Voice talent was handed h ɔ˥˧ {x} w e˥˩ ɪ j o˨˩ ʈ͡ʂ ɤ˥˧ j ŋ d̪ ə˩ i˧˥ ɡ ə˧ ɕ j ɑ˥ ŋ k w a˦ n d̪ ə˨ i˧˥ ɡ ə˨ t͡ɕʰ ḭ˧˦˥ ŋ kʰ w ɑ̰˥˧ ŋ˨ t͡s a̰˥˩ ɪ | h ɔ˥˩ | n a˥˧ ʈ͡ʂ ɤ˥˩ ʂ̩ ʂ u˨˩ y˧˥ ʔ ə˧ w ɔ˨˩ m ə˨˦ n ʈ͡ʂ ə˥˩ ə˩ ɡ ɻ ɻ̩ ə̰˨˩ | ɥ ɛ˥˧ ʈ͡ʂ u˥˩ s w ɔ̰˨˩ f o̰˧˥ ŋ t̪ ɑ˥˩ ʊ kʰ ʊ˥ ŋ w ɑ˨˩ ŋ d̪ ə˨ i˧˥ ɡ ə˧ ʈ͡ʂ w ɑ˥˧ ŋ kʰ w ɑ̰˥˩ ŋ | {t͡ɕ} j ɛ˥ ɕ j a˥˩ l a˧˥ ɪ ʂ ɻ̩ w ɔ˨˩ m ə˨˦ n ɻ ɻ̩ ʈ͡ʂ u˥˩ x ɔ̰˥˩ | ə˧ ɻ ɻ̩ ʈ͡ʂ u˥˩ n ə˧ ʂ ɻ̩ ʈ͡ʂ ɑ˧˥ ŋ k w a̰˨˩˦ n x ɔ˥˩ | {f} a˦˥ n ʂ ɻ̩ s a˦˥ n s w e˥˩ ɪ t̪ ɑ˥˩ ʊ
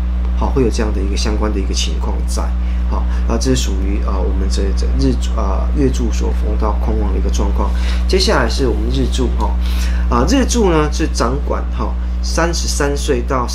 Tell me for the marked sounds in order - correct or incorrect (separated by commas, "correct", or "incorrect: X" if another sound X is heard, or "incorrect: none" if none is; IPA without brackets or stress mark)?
correct, correct, incorrect: s